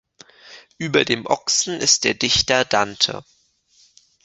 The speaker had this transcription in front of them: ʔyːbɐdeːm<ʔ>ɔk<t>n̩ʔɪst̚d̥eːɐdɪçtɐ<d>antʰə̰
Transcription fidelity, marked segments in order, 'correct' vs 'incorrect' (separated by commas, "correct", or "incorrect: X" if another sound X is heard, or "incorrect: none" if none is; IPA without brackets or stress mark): correct, incorrect: s, correct